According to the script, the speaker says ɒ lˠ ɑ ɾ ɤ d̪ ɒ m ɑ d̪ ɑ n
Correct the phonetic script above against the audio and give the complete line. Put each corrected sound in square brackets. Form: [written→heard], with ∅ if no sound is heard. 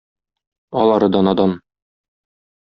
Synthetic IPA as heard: ɒ lˠ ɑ ɾ ɤ d̪ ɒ [m→n] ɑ d̪ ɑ n

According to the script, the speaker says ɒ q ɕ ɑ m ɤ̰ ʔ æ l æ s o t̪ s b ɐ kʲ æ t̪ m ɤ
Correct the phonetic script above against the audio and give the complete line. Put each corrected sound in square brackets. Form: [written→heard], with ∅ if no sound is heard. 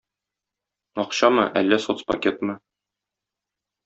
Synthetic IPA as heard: ɒ q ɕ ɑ m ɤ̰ ʔ æ [l→lː] æ s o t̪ s [b→p] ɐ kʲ [æ→e] t̪ m ɤ

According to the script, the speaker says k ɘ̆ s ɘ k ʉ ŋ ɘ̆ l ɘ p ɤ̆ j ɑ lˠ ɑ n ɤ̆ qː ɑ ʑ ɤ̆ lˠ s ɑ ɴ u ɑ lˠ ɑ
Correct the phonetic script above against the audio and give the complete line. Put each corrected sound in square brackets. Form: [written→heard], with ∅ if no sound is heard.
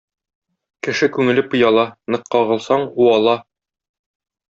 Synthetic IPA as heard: k ɘ̆ [s→ʃ] ɘ k ʉ ŋ ɘ̆ l ɘ p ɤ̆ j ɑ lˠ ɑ n ɤ̆ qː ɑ [ʑ→ʁ] ɤ̆ lˠ s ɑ ɴ u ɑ lˠ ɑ

